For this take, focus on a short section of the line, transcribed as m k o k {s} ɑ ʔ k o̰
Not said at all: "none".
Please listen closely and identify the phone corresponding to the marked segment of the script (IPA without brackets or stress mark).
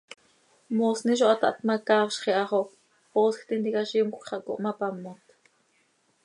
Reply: χ